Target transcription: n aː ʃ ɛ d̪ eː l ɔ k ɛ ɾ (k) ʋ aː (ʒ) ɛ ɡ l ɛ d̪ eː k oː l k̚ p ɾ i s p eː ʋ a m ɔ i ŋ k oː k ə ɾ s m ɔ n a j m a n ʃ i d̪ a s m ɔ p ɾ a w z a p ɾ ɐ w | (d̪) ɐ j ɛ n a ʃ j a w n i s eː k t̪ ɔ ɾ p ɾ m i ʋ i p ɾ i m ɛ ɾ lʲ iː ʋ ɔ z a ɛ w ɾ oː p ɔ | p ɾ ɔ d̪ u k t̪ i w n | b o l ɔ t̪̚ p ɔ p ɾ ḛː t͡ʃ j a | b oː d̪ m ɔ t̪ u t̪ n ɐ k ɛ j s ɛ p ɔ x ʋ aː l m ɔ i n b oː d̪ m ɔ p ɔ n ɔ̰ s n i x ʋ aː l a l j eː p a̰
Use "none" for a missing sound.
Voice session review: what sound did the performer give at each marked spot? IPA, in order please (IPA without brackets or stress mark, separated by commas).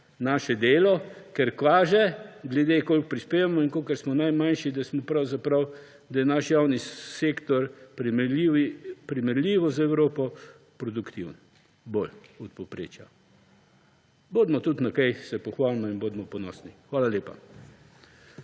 k, ʒ, d̪